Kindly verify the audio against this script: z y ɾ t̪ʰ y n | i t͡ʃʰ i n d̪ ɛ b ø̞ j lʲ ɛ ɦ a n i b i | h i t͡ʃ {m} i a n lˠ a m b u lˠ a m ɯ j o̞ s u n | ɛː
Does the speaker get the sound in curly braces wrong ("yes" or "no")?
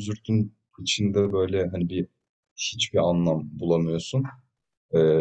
yes